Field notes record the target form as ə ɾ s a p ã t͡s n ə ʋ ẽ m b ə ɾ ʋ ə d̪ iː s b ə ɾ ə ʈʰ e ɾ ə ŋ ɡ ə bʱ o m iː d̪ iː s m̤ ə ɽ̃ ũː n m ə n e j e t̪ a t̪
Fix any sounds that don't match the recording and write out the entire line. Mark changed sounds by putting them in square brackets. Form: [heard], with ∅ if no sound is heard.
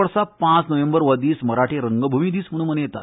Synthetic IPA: ə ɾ s a p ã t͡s n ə ʋ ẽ m b ə ɾ ʋ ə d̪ iː s [m] ə ɾ [a] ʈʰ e ɾ ə ŋ ɡ ə bʱ [u] m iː d̪ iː s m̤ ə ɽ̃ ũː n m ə n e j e t̪ a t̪